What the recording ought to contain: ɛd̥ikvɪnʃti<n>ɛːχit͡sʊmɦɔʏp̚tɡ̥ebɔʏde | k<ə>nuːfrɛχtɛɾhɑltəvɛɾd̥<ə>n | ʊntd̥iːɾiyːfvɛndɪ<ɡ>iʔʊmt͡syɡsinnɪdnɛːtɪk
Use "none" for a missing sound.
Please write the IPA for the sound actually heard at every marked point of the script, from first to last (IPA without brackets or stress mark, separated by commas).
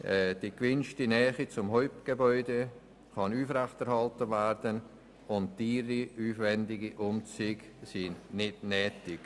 n, ɑ, ə, ɡ